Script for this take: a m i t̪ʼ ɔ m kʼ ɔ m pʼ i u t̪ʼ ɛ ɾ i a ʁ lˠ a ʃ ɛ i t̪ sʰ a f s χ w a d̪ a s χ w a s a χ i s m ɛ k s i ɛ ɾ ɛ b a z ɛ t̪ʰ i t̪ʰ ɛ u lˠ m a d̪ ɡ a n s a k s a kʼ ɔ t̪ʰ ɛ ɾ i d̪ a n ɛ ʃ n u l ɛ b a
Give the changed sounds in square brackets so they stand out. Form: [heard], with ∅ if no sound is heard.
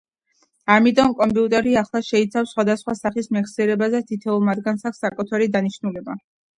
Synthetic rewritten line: a m i t̪ʼ ɔ m kʼ ɔ m pʼ i u t̪ʼ ɛ ɾ i a [χ] lˠ a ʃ ɛ i t̪ sʰ a f s χ w a d̪ a s χ w a s a χ i s m ɛ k s i ɛ ɾ ɛ b a z ɛ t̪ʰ i t̪ʰ ɛ u lˠ m a d̪ ɡ a n s a k s a kʼ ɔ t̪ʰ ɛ ɾ i d̪ a n [i] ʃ n u l ɛ b a